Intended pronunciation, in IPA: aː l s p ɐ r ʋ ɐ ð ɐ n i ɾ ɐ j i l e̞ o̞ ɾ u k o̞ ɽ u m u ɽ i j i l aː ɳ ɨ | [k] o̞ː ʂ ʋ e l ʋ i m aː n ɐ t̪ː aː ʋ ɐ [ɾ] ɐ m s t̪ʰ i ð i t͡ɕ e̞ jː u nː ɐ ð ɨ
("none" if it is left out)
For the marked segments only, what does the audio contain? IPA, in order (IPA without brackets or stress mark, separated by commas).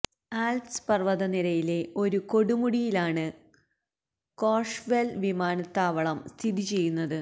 k, ɭ